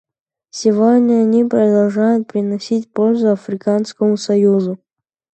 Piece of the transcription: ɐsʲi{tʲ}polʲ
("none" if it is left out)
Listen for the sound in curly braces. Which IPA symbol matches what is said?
tʲ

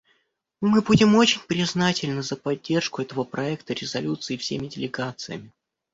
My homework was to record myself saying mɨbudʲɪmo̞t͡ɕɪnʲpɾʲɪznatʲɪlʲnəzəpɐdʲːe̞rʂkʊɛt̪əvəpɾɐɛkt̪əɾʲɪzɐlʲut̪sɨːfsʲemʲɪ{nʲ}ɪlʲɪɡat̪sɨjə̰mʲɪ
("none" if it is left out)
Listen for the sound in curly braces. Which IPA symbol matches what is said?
dʲ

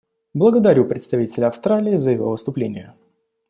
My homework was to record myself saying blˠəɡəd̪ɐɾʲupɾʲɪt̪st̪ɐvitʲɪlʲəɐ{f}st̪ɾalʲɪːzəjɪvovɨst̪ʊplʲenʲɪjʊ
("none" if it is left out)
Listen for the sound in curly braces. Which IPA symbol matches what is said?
f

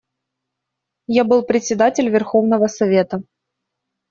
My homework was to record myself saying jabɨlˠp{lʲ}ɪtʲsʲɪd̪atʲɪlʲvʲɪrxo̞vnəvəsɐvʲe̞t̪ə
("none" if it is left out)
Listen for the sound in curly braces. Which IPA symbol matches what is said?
ɾʲ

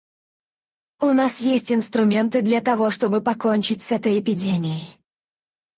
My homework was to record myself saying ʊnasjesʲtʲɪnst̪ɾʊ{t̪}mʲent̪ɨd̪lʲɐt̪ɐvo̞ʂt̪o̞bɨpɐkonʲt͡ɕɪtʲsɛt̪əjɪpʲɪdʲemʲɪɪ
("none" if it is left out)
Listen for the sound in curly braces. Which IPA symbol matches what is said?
none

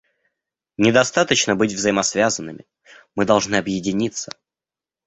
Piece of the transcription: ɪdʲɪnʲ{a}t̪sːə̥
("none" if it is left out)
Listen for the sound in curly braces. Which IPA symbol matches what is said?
i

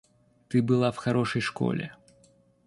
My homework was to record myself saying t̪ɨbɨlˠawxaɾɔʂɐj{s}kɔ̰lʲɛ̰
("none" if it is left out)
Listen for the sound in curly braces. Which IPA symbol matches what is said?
ʂ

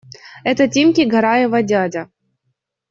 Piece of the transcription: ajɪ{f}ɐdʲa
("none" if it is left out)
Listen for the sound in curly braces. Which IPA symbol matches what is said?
v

